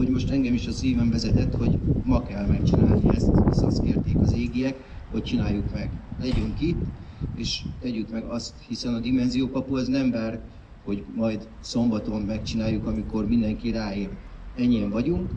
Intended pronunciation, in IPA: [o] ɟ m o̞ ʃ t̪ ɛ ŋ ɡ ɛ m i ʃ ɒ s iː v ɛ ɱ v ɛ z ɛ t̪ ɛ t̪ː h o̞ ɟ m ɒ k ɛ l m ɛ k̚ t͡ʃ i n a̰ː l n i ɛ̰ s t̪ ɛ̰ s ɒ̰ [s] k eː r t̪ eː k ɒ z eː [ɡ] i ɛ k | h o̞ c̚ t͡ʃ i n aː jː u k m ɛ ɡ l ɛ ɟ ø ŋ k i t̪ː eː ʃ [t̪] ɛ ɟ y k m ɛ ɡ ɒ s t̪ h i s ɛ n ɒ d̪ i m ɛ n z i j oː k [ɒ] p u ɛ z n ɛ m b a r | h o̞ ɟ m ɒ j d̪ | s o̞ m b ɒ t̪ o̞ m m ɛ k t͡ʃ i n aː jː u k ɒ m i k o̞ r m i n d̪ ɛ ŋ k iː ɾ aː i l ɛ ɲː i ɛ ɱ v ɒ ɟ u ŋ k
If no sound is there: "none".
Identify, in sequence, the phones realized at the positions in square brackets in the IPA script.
o, s, ɡ, t̪, ɒ

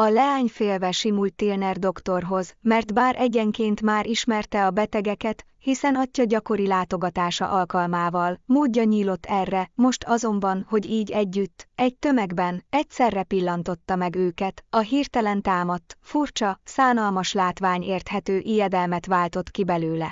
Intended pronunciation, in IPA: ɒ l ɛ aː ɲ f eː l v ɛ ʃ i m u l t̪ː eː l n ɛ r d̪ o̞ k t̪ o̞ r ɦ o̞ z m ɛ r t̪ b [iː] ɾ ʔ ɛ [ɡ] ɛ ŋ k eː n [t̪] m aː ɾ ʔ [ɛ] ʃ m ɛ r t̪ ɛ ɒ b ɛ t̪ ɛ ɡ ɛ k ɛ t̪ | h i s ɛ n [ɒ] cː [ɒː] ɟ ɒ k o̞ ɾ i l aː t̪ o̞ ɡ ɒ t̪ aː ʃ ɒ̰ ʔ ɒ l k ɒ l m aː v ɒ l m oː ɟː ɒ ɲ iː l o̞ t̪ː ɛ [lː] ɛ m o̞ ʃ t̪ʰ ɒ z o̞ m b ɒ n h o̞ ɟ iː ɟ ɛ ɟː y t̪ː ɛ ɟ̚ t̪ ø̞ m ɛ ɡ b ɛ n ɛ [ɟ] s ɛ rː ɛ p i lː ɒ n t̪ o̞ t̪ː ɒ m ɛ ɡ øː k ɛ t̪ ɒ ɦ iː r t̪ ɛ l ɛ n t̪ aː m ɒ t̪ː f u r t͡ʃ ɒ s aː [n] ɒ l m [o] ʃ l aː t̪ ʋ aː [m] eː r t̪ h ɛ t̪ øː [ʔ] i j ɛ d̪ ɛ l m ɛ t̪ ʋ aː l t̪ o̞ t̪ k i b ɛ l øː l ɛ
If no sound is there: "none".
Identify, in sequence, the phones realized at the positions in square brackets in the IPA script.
aː, ɟ, t̪, i, ɒ, ɒ, rː, c, n, ɒ, ɲ, ʔ

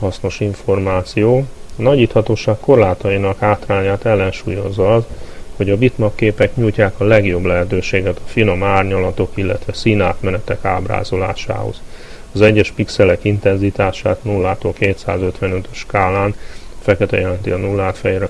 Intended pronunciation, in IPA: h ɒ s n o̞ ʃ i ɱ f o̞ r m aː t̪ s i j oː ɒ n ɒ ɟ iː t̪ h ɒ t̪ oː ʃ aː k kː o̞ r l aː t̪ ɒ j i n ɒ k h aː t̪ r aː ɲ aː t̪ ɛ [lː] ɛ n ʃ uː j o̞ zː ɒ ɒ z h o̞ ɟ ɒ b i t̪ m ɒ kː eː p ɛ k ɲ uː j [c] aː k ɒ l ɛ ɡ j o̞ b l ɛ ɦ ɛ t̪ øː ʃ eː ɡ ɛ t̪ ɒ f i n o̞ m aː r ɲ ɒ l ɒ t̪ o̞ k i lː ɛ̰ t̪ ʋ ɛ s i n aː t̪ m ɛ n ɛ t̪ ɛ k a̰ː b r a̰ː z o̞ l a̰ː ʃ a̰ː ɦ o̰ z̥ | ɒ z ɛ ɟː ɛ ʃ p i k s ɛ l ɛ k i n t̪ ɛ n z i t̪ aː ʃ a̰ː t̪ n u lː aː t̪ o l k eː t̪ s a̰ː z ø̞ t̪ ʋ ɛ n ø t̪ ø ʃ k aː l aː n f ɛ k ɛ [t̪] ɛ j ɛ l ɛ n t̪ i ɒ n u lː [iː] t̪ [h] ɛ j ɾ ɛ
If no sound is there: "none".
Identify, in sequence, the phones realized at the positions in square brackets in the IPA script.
lː, c, t̪, aː, f

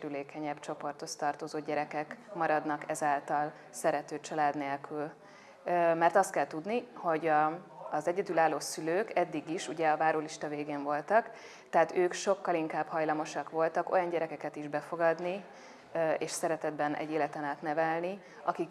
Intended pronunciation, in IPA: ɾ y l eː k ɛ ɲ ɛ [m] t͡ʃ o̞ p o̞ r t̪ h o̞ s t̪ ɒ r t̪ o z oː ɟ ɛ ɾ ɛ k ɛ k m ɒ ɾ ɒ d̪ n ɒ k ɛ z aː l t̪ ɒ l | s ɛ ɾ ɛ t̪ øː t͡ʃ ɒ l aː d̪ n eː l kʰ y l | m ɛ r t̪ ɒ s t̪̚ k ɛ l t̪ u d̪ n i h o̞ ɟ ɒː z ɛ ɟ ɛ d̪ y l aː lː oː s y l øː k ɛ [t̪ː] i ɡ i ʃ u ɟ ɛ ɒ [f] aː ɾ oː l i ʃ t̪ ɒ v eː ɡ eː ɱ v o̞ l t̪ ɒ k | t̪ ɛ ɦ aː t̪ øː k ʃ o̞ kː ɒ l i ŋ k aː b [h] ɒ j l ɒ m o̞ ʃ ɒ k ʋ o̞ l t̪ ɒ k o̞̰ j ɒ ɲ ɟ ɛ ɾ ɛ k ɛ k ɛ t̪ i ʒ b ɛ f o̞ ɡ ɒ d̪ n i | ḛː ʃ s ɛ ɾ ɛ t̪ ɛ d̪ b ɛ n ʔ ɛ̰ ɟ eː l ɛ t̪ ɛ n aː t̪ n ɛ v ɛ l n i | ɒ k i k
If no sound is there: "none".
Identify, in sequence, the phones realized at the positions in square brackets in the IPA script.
b, d̪ː, v, h

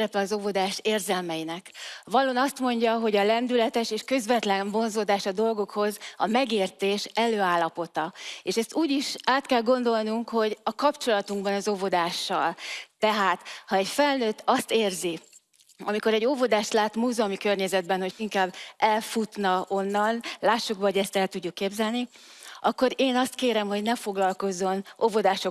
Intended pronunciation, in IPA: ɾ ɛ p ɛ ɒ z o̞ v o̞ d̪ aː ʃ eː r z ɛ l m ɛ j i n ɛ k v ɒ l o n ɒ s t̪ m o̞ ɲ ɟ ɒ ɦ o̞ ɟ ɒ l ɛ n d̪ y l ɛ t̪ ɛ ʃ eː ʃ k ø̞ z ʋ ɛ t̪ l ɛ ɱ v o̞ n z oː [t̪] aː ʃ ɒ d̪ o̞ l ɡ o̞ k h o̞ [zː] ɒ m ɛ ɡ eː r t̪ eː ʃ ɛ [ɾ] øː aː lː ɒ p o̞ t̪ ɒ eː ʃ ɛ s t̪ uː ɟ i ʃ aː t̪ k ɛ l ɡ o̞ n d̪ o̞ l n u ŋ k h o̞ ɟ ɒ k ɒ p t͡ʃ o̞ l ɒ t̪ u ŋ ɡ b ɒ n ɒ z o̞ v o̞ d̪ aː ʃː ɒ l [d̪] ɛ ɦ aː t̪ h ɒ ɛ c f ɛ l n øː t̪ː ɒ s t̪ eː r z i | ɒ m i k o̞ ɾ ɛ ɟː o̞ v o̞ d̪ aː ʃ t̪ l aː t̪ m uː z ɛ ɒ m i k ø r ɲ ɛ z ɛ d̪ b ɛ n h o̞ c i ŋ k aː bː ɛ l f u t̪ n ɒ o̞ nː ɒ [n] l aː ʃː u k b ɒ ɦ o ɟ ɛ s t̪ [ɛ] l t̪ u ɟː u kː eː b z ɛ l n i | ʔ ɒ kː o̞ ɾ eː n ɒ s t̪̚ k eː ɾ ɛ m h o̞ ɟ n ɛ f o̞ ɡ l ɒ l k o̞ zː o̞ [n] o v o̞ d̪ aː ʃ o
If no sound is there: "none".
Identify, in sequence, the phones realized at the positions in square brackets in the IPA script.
d̪, z, l, t̪, n, ɛ, n

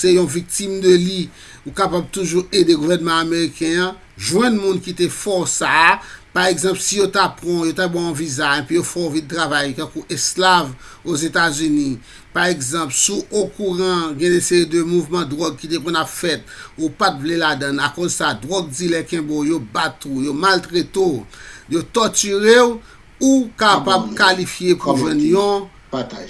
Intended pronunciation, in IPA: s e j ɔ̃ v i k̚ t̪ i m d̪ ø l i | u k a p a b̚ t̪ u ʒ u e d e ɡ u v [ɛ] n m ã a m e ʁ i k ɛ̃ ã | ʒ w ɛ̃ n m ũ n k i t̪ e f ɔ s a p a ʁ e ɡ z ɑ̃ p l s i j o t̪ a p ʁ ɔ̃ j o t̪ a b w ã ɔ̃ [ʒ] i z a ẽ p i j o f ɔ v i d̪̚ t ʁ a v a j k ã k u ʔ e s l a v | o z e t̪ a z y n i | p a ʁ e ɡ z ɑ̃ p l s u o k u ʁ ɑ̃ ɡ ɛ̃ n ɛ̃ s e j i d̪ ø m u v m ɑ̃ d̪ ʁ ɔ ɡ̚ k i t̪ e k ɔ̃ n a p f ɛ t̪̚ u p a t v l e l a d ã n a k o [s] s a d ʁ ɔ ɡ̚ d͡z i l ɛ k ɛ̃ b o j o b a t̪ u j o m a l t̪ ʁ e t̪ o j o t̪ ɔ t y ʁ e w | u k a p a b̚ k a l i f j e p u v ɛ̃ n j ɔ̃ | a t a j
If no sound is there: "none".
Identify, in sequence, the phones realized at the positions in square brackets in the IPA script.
ɛ, v, z

